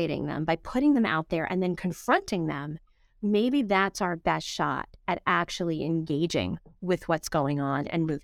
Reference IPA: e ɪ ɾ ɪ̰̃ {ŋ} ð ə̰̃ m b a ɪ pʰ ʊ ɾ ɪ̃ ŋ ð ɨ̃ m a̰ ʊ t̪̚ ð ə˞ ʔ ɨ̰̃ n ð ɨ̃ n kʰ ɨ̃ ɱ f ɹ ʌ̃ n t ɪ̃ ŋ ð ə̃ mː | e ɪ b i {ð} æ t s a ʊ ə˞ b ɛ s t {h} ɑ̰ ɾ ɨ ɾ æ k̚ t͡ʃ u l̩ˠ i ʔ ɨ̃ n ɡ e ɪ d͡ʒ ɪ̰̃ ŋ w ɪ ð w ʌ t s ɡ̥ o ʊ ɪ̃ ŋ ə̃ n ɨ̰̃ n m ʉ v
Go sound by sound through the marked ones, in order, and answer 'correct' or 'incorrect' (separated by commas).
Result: correct, correct, incorrect